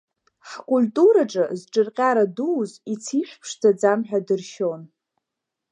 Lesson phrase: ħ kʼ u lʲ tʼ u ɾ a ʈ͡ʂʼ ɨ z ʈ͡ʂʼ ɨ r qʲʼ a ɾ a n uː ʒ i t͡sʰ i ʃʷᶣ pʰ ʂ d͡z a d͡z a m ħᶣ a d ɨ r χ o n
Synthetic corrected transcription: ħ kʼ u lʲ tʼ u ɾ a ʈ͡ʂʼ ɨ z ʈ͡ʂʼ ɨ r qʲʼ a ɾ a d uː z i t͡sʰ i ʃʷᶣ pʰ ʂ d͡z a d͡z a m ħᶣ a d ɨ r ʃ o n